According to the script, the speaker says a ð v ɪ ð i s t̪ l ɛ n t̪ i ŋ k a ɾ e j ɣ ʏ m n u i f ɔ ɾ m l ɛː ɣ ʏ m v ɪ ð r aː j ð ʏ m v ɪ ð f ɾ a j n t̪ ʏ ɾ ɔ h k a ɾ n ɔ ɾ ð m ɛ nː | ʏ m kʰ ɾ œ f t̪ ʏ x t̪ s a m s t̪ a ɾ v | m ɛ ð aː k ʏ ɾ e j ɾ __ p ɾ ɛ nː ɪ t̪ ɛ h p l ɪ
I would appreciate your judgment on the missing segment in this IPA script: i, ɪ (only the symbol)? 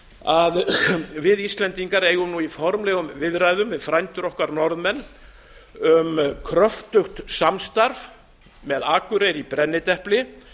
i